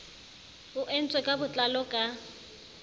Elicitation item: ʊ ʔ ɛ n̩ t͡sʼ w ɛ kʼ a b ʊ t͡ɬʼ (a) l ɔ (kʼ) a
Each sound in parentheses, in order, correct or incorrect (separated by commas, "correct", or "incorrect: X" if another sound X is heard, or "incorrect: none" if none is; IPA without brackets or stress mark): correct, correct